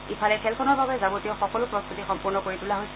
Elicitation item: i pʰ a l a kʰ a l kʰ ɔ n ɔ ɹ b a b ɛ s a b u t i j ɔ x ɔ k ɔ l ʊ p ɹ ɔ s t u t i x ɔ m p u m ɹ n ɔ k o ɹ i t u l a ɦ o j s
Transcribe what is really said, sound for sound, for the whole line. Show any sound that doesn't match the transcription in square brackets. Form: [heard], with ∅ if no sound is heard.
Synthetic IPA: i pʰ a l [ɛ] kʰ [ɛ] l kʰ ɔ n ɔ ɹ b a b ɛ [z] a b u t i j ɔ x ɔ k ɔ l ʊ p ɹ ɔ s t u t i x ɔ m p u [∅] ɹ n ɔ k o ɹ i t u l a ɦ o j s